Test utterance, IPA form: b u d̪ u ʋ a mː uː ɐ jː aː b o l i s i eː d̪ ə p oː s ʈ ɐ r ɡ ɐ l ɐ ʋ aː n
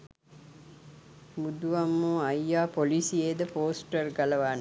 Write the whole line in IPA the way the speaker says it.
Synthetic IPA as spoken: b u d̪ u ʋ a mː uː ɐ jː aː p o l i s i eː d̪ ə p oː s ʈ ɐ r ɡ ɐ l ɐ ʋ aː n